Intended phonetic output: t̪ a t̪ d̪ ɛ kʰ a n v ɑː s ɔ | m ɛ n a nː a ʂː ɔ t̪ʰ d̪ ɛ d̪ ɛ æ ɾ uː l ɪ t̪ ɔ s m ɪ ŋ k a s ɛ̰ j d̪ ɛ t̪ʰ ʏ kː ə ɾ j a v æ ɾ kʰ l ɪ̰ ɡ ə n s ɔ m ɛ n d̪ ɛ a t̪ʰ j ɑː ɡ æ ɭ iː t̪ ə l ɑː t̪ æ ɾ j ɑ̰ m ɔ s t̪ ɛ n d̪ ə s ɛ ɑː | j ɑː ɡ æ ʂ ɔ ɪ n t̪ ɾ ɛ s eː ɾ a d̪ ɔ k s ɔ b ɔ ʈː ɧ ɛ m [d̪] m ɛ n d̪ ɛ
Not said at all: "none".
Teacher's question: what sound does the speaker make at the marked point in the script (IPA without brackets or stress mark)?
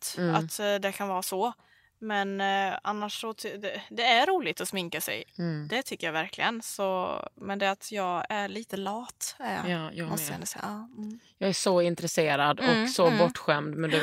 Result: d̪